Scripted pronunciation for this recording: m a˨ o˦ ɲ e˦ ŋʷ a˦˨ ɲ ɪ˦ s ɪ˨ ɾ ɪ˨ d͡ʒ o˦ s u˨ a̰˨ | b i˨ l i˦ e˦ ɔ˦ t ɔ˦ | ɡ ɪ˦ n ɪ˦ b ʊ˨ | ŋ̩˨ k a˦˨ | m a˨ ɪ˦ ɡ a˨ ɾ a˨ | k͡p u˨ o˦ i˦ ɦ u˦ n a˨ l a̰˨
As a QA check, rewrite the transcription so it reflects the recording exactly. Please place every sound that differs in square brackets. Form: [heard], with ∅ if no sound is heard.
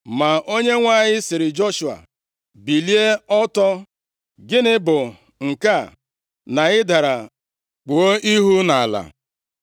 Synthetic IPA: m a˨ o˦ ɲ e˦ ŋʷ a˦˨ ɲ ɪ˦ s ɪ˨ ɾ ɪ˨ d͡ʒ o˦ [ʃ] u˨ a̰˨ | b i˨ l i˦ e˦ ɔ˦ t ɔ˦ | ɡ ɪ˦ n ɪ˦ b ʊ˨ | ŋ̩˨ k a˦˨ | [n] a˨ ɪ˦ [d] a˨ ɾ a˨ | k͡p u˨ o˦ i˦ ɦ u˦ n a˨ l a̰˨